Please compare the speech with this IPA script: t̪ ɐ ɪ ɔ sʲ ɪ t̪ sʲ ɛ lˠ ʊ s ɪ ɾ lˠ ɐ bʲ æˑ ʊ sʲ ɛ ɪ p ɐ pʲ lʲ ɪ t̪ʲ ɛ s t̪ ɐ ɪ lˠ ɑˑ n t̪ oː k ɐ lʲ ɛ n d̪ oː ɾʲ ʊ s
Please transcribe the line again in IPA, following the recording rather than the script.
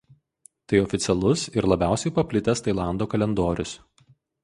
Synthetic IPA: t̪ ɐ ɪ ɔ fʲ ɪ t̪ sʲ ɛ lˠ ʊ s ɪ ɾ lˠ ɐ bʲ æˑ ʊ sʲ ɛ ɪ p ɐ pʲ lʲ ɪ t̪ʲ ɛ s t̪ ɐ ɪ lˠ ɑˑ n d̪ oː k ɐ lʲ ɛ n d̪ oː ɾʲ ʊ s